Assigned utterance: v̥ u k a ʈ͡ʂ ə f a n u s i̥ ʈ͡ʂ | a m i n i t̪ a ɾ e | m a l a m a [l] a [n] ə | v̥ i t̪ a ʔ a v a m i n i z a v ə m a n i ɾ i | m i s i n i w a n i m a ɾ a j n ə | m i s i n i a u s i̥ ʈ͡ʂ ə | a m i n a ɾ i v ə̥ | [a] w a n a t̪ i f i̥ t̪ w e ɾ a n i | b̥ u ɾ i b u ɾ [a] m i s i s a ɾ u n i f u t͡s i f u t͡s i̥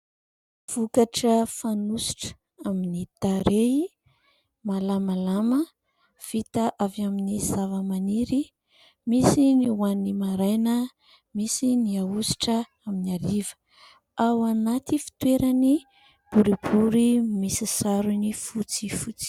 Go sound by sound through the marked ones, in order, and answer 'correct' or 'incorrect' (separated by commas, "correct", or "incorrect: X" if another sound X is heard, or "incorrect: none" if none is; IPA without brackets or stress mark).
correct, incorrect: m, correct, incorrect: i